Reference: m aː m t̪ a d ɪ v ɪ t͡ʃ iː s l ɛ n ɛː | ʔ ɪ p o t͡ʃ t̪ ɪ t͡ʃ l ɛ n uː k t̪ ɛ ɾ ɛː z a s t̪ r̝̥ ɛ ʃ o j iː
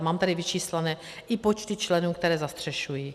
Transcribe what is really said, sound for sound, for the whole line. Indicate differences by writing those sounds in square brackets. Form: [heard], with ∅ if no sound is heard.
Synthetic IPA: m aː m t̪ a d ɪ v ɪ t͡ʃ iː s l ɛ n ɛː | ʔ ɪ p o t͡ʃ t̪ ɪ t͡ʃ l ɛ n uː k t̪ ɛ ɾ ɛː z a s t̪ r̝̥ ɛ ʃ [u] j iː